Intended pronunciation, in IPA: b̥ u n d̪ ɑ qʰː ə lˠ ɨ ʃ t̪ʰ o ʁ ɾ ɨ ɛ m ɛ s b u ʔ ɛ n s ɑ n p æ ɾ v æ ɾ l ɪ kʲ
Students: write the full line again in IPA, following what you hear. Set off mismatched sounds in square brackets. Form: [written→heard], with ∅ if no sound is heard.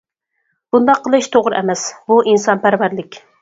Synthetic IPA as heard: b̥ u n d̪ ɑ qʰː ə lˠ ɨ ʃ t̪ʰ o ʁ ɾ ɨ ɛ m ɛ s b u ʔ [ɛ→i] n s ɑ n p æ ɾ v æ ɾ l ɪ kʲ